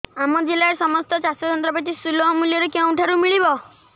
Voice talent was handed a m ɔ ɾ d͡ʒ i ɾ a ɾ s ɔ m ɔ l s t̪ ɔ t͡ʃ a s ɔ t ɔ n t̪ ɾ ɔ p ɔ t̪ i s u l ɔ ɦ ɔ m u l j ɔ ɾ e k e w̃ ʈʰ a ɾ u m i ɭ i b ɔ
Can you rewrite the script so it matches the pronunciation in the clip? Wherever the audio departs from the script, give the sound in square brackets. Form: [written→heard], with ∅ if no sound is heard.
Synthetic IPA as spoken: a m ɔ [ɾ→∅] d͡ʒ i [ɾ→l] a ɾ s ɔ m ɔ [l→∅] s t̪ ɔ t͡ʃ a s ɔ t ɔ n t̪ ɾ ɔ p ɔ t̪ i s u l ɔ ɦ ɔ m u l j ɔ ɾ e k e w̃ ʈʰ a ɾ u m i ɭ i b ɔ